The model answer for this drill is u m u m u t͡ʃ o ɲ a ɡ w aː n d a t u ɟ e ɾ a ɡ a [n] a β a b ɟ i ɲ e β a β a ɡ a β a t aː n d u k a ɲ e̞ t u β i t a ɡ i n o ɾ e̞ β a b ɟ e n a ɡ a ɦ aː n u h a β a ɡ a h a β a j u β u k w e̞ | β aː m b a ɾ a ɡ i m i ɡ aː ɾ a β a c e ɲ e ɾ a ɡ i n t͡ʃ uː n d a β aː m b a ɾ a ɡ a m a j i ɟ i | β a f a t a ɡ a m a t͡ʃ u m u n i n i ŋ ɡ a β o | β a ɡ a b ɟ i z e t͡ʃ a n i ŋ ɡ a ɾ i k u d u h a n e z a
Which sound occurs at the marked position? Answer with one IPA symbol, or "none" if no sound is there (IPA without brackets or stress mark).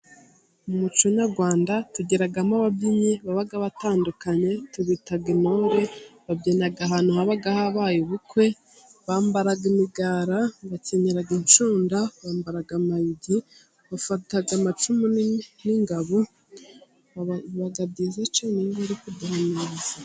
m